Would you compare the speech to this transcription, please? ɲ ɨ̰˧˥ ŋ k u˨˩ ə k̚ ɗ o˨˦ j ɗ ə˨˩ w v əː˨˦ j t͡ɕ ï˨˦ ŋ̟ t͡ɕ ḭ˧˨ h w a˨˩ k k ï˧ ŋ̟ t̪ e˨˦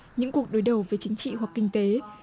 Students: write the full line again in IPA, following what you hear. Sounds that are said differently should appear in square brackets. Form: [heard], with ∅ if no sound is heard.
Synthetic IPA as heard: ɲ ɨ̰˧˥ ŋ k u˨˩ ə k̚ ɗ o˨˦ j ɗ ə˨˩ w v əː˨˦ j t͡ɕ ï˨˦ ŋ̟ t͡ɕ ḭ˧˨ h w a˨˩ k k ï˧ ŋ̟ t̪ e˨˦